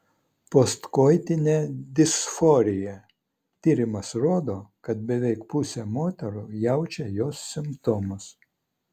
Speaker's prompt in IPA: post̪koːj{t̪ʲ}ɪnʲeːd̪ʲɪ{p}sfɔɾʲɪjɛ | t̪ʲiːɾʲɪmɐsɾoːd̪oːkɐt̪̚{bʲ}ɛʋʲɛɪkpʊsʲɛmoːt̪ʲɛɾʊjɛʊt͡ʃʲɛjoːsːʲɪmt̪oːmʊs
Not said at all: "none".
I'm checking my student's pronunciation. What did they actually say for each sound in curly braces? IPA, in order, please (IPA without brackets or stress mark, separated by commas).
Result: t̪ʲ, none, bʲ